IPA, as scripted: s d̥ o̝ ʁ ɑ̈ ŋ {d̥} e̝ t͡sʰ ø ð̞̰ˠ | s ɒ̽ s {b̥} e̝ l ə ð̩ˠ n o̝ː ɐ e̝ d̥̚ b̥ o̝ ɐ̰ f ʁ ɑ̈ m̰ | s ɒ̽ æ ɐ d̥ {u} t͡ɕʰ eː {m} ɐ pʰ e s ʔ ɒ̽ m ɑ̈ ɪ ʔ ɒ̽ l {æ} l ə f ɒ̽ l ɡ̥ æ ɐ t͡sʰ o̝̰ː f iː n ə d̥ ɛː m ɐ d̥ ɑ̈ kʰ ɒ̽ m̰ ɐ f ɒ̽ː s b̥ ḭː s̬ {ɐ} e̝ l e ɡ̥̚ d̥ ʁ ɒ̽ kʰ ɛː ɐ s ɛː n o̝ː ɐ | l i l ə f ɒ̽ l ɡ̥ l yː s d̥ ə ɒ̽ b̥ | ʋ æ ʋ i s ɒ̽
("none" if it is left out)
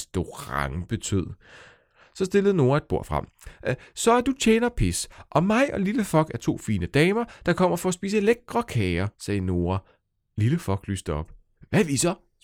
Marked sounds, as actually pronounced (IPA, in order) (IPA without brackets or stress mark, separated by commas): b̥, d̥, u, n, i, ə